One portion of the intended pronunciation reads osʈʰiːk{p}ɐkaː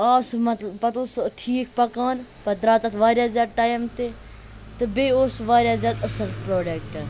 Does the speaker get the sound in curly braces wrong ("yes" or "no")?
no